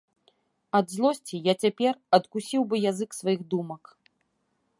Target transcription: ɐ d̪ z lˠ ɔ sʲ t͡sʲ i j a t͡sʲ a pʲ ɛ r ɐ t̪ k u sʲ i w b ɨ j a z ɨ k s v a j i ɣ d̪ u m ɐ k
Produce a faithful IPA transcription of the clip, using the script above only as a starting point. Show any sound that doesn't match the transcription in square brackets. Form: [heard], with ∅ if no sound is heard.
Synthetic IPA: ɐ d̪ z lˠ ɔ sʲ t͡sʲ i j a t͡sʲ a pʲ ɛ r ɐ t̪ k u sʲ i w b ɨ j a z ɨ k s v a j i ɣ d̪ u m ɐ k